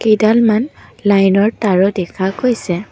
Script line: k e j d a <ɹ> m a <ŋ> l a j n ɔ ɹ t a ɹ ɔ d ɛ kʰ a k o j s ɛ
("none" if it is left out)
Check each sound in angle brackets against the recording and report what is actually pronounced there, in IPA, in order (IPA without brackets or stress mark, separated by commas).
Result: l, n